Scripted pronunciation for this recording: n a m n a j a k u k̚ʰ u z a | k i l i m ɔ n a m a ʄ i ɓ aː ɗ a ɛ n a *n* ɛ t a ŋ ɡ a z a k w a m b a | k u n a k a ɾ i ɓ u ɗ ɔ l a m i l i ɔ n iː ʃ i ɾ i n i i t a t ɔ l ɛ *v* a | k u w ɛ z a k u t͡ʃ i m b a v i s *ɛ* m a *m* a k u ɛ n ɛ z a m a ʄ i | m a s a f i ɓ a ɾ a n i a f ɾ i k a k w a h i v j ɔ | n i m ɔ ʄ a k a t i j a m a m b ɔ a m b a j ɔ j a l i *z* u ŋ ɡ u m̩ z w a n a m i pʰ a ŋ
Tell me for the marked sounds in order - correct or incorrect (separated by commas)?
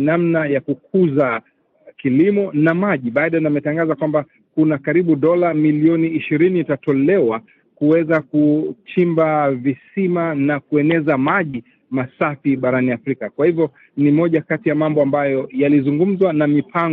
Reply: incorrect, incorrect, incorrect, incorrect, correct